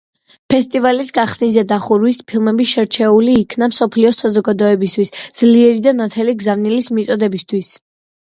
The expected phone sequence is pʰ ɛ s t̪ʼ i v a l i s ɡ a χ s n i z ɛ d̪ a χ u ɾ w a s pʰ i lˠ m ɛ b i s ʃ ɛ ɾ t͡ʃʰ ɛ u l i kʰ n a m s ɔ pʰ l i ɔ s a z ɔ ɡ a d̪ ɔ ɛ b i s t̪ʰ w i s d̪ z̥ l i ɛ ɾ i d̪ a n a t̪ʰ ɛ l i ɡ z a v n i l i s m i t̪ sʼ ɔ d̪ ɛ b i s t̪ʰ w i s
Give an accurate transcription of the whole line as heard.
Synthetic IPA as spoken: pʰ ɛ s t̪ʼ i v a l i s ɡ a χ s n i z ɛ d̪ a χ u ɾ w i s pʰ i lˠ m ɛ b i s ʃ ɛ ɾ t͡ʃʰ ɛ u l iː kʰ n a m s ɔ pʰ l i ɔ s a z ɔ ɡ a d̪ ɔ ɛ b i s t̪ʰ w i s d̪ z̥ l i ɛ ɾ i d̪ a n a t̪ʰ ɛ l i ɡ z a v n i l i s m i t̪ sʼ ɔ d̪ ɛ b i s t̪ʰ w i s